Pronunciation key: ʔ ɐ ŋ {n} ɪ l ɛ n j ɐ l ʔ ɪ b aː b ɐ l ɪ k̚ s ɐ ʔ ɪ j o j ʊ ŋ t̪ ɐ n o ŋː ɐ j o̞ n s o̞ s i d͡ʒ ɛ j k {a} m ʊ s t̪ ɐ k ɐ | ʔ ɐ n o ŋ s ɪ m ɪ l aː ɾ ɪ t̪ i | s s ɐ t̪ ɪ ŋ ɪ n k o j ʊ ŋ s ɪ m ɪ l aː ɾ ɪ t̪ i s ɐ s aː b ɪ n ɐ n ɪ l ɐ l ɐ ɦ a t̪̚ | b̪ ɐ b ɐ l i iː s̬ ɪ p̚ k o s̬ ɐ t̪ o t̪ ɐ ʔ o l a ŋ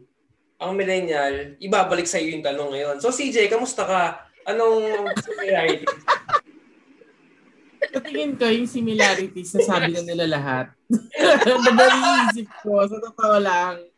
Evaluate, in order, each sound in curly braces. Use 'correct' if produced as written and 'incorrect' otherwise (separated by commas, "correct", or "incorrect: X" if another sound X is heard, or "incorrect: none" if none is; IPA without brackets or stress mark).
incorrect: m, incorrect: ɐ